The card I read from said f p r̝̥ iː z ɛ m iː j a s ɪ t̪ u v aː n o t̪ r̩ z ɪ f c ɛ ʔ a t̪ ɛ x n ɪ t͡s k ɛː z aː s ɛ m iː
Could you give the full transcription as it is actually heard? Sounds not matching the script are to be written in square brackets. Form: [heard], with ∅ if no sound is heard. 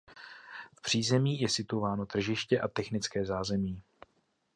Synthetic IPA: f p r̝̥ iː z ɛ m iː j [ɛ] s ɪ t̪ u v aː n o t̪ r̩ [ʒ] ɪ [ʃ] c ɛ ʔ a t̪ ɛ x n ɪ t͡s k ɛː z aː [z] ɛ m iː